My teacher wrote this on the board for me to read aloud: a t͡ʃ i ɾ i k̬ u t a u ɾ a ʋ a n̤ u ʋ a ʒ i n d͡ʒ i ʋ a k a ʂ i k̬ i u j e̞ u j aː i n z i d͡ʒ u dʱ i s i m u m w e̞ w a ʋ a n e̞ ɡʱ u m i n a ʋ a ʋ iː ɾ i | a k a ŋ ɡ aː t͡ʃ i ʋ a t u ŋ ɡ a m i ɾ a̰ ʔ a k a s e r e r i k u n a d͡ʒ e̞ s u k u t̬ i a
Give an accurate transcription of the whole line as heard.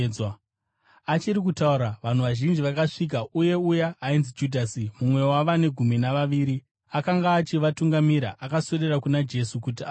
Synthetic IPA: a t͡ʃ i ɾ i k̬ u t a u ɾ a ʋ a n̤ u ʋ a ʒ i n d͡ʒ i ʋ a k a ʂ i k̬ a u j e̞ u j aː i n z i d͡ʒ u dʱ a s i m u m w e̞ w a ʋ a n e̞ ɡʱ u m i n a ʋ a ʋ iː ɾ i | a k a ŋ ɡ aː t͡ʃ i ʋ a t u ŋ ɡ a m i ɾ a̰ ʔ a k a s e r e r a k u n a d͡ʒ e̞ s u k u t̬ i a